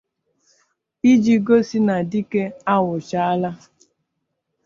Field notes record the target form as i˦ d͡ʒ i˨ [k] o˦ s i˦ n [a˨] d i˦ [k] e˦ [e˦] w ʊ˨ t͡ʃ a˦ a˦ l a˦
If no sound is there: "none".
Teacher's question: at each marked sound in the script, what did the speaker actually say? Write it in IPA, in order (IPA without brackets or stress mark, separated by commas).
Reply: ɡ, a˨, k, a˦